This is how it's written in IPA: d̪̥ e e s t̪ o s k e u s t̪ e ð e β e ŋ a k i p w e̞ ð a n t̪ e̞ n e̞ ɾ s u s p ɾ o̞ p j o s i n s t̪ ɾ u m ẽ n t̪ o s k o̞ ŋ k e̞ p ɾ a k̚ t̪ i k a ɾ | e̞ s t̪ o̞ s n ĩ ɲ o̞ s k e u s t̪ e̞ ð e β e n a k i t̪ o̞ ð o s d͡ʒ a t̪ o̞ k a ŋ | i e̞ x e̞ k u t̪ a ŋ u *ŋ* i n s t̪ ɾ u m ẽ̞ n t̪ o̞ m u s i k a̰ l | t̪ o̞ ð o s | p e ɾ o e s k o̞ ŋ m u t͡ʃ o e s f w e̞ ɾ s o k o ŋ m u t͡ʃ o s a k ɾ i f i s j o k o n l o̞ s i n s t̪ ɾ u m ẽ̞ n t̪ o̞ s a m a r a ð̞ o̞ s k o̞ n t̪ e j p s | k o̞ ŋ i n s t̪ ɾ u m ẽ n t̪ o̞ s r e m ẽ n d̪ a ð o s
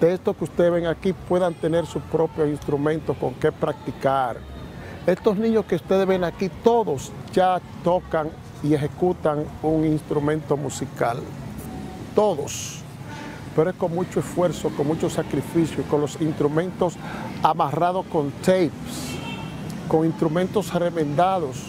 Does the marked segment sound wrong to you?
no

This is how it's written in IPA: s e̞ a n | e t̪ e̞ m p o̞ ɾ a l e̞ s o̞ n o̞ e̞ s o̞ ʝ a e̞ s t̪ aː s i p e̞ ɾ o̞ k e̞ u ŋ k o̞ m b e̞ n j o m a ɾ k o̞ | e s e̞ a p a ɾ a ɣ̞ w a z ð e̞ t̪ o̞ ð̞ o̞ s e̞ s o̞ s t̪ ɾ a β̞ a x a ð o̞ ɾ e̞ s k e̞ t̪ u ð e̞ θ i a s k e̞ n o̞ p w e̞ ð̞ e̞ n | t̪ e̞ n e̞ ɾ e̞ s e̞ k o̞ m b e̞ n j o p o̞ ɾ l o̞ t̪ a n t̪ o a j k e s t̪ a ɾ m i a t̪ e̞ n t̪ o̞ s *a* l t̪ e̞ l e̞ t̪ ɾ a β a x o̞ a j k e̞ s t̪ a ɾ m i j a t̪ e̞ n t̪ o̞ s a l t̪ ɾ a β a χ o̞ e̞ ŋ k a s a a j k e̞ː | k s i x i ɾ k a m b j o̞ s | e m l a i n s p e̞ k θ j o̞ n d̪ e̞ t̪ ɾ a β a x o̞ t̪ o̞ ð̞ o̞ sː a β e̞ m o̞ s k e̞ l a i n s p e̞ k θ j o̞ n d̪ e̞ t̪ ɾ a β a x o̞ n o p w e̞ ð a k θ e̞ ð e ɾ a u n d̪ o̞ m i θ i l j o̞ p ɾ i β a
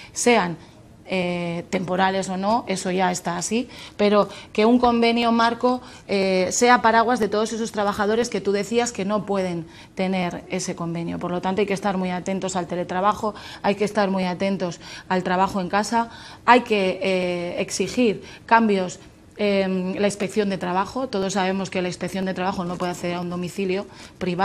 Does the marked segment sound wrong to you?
no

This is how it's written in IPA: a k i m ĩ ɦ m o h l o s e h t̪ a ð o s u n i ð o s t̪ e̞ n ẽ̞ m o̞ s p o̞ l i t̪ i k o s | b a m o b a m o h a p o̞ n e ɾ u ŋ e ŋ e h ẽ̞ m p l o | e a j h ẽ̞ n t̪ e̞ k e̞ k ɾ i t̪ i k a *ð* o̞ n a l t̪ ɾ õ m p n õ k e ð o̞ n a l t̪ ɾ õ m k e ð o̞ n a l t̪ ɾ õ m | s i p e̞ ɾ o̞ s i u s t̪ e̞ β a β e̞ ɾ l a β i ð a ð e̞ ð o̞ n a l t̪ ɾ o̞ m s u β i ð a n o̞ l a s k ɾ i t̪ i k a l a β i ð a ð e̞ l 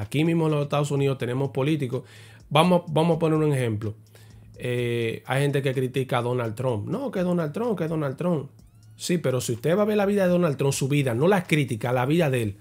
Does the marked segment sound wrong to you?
no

